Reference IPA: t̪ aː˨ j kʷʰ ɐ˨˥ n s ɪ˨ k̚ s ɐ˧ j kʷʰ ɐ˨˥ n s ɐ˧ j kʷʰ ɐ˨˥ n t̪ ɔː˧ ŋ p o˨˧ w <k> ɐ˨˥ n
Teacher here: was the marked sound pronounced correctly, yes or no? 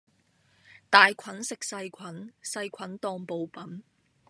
no